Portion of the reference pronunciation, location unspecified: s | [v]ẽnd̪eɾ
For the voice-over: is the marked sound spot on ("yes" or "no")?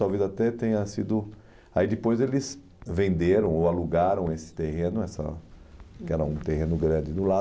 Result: yes